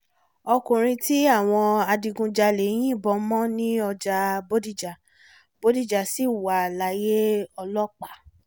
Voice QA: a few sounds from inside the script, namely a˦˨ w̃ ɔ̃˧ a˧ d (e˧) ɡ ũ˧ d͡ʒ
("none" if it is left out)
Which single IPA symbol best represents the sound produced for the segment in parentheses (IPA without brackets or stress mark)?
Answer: i˧